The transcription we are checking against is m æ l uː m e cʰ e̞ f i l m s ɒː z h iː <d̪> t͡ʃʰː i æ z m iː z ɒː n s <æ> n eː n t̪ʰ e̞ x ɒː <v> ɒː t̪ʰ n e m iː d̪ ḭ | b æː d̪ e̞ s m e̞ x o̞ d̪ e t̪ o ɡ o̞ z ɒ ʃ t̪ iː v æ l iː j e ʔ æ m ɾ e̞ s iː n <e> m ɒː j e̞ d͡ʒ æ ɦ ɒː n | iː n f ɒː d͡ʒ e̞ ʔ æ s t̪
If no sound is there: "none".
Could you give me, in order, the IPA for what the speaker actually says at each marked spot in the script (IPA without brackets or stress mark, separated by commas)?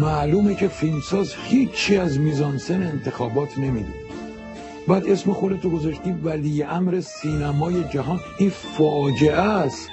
none, e, b, æ